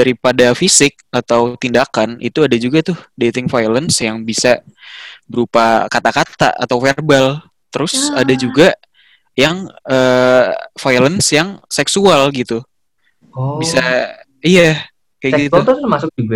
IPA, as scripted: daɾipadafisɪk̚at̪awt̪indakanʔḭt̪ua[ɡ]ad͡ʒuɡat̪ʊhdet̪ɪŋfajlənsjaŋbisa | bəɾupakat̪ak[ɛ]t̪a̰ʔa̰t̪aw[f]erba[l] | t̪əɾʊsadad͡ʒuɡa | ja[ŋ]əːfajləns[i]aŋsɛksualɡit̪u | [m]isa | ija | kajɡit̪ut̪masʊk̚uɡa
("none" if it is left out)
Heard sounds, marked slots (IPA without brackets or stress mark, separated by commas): d, a, f, l, ŋ, j, b